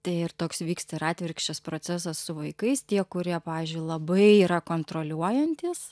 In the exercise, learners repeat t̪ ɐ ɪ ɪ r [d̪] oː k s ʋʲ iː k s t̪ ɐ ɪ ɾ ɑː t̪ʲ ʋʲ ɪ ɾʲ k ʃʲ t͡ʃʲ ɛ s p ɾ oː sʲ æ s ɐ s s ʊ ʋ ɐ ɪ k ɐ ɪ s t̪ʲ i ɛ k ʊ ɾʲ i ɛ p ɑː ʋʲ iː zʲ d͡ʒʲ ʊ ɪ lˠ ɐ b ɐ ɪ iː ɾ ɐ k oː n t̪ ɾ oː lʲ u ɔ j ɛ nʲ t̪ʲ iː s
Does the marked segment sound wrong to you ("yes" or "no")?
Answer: yes